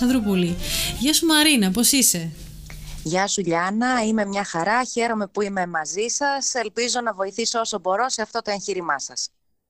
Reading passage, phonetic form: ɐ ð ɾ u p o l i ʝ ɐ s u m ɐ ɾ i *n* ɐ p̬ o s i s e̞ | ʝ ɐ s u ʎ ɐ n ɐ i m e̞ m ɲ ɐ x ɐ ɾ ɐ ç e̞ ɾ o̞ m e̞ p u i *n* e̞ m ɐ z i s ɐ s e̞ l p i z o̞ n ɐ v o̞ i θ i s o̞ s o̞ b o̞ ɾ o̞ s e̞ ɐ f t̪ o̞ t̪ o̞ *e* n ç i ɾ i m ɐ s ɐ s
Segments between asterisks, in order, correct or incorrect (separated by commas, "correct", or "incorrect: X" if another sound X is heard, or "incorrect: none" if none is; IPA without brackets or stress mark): correct, incorrect: m, correct